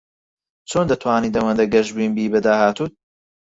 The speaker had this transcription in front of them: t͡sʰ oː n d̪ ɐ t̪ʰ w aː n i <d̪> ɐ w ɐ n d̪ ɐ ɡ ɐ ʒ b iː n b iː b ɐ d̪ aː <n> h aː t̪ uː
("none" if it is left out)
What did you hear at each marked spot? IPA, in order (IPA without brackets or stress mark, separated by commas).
d̪, none